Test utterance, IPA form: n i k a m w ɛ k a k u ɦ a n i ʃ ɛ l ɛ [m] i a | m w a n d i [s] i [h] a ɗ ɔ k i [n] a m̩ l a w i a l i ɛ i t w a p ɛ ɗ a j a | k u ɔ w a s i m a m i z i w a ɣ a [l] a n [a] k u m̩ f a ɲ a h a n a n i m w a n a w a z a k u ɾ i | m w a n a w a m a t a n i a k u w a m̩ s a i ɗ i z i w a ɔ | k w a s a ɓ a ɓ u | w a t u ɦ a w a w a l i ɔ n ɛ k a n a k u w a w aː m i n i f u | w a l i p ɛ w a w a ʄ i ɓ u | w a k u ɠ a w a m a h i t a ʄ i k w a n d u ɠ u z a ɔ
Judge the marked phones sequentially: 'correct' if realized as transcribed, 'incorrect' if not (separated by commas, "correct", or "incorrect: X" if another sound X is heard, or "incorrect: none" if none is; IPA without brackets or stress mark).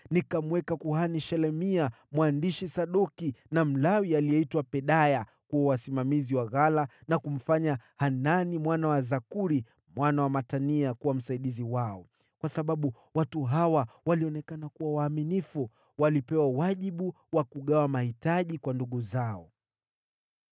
correct, incorrect: ʃ, incorrect: s, correct, correct, correct